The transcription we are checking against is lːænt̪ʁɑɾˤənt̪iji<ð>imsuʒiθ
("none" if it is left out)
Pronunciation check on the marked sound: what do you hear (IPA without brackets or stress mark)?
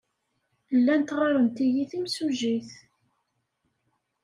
θ